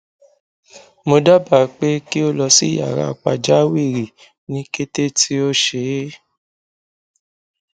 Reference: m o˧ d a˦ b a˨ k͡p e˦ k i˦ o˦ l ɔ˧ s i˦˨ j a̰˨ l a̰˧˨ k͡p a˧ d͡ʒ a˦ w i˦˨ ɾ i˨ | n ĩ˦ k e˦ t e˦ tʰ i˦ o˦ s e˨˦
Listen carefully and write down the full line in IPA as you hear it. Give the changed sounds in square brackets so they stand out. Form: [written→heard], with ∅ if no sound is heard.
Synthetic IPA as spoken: m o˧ d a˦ b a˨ k͡p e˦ k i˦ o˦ l ɔ˧ s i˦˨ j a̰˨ [l→ɾ] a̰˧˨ k͡p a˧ d͡ʒ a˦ w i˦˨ ɾ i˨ | n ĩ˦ k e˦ t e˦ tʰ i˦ o˦ [s→ʃ] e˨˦

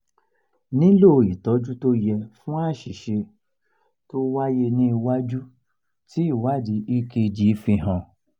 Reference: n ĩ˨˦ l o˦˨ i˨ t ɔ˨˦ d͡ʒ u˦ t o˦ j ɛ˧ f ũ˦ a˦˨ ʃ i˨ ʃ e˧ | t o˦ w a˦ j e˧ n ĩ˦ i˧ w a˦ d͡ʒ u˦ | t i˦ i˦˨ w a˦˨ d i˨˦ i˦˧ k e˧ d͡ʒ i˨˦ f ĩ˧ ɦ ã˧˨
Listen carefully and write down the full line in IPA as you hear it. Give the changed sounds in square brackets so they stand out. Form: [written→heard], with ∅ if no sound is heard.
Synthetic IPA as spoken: n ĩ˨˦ l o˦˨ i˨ t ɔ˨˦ d͡ʒ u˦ t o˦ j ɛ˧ f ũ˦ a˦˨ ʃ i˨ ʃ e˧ | t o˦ w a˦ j e˧ n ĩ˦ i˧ w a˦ d͡ʒ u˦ | t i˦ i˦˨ w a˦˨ d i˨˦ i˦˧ k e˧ d͡ʒ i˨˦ f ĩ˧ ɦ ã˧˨

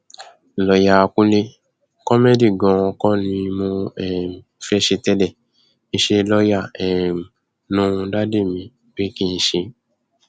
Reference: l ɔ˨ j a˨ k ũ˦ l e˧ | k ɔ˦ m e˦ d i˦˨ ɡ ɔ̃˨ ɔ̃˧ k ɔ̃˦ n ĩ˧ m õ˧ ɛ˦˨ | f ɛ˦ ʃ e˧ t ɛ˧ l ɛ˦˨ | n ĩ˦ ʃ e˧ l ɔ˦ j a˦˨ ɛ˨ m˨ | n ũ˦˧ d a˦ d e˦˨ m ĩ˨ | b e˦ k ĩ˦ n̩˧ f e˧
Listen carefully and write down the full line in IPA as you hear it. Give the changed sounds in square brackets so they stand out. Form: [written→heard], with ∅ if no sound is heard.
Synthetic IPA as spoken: l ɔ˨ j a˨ k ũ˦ l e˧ | k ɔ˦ m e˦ d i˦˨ ɡ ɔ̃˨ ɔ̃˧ k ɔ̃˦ n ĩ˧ m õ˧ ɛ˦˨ | f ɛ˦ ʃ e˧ t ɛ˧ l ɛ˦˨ | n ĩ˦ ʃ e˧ l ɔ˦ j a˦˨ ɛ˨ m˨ | n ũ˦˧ d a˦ d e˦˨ m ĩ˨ | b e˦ k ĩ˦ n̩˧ [f→ʃ] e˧

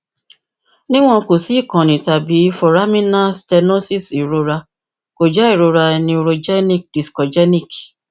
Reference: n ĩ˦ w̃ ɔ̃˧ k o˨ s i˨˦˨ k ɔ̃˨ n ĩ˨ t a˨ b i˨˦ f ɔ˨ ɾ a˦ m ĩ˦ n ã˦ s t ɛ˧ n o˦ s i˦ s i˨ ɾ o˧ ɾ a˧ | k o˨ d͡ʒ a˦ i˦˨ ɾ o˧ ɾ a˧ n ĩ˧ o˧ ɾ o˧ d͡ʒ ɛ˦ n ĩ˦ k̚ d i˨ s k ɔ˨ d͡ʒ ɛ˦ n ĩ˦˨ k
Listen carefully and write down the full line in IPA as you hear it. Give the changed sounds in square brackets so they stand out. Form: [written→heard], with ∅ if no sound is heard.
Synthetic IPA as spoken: n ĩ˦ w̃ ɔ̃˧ k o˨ s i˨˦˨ k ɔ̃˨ n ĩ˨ t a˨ b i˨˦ f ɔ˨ ɾ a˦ m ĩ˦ n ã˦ s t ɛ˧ n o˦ s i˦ s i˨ ɾ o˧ ɾ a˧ | k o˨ d͡ʒ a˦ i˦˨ ɾ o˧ ɾ a˧ n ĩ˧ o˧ ɾ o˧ d͡ʒ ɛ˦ n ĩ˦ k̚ d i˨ s k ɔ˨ d͡ʒ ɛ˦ n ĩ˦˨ k

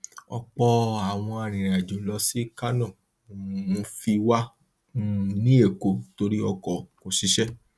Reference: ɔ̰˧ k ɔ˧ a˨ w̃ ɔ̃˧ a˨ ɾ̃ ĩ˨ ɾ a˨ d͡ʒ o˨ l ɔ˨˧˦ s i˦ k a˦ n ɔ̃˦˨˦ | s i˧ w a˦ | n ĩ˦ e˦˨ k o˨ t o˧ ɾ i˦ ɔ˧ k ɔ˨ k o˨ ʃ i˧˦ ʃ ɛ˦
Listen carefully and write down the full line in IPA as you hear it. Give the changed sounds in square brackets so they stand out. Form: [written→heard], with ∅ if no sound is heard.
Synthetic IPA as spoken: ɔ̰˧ [k→k͡p] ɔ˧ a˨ w̃ ɔ̃˧ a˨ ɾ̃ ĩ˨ ɾ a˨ d͡ʒ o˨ l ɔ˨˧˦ s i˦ k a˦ n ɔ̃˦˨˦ | [s→f] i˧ w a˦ | n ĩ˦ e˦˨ k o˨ t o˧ ɾ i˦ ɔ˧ k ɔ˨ k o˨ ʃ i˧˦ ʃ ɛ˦

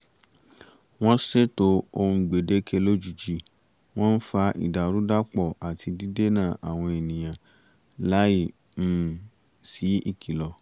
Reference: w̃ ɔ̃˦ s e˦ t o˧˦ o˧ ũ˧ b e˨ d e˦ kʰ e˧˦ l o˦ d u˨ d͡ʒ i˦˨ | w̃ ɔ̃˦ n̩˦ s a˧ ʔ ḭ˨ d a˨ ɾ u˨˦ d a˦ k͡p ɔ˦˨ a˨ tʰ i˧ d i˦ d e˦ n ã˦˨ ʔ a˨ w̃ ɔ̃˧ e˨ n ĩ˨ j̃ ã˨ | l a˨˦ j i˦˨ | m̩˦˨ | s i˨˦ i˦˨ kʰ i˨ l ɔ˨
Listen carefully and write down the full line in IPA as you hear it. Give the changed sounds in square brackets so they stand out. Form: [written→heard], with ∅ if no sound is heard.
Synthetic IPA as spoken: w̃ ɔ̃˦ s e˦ t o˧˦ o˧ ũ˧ [b→ɡ͡b] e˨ d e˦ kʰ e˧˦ l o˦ [d→d͡ʒ] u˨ d͡ʒ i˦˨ | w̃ ɔ̃˦ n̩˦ [s→f] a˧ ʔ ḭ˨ d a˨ ɾ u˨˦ d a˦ k͡p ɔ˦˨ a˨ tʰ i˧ d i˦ d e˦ n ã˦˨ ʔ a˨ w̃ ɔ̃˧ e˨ n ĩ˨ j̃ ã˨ | l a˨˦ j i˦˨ | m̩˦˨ | s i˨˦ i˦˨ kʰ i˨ l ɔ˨

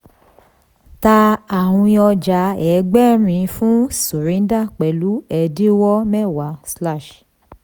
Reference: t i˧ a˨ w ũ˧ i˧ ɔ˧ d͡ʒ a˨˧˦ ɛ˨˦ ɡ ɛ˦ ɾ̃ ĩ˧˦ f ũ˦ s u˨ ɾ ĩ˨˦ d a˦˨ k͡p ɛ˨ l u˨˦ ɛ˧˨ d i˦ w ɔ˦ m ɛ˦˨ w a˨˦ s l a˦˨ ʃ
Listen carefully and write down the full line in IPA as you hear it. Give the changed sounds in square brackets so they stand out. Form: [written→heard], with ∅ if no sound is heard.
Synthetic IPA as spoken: t [i˧→a˧] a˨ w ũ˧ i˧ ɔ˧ d͡ʒ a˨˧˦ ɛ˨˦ [ɡ→ɡ͡b] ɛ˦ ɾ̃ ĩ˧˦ f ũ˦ s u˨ ɾ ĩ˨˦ d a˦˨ k͡p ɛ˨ l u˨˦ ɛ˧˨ d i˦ w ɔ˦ m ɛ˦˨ w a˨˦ s l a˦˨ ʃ

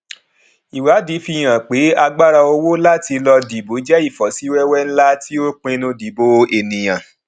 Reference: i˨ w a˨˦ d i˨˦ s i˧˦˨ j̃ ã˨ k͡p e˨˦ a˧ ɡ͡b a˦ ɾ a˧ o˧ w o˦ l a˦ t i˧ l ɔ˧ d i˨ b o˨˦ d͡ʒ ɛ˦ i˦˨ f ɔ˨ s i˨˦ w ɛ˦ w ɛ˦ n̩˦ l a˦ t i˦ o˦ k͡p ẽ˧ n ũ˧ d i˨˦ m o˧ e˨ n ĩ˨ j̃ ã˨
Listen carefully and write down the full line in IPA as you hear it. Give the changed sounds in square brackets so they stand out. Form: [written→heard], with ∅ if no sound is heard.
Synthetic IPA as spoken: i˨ w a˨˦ d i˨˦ [s→f] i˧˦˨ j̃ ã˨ k͡p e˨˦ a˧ ɡ͡b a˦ ɾ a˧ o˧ w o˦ l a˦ t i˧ l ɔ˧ d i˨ b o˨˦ d͡ʒ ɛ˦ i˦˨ f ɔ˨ s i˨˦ w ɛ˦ w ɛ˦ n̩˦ l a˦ t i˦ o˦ k͡p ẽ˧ n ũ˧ d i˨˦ [m→b] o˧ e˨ n ĩ˨ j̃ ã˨

